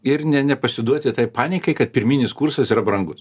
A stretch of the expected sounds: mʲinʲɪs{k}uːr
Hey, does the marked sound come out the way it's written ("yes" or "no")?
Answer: yes